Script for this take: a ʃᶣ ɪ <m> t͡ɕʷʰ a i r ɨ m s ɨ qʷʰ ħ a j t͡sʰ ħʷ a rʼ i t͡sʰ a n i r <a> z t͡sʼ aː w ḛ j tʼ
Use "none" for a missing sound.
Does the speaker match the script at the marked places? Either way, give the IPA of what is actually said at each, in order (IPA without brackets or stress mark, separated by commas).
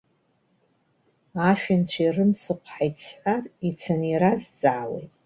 n, a